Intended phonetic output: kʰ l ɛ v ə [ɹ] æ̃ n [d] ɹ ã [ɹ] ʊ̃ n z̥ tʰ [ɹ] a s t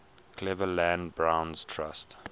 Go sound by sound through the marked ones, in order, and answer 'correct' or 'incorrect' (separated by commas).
incorrect, incorrect, incorrect, correct